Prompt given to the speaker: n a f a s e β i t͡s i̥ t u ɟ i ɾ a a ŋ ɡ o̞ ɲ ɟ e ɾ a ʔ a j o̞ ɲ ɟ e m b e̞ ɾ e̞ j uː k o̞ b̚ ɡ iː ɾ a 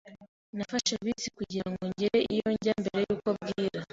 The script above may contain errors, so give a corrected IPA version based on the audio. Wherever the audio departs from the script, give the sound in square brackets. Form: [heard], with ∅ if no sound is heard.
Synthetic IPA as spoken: n a f a [ʃ] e β i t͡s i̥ [k] u ɟ i ɾ a a ŋ ɡ o̞ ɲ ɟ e ɾ [e] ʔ [i] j o̞ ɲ ɟ [a] m b e̞ ɾ e̞ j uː k o̞ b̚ ɡ iː ɾ a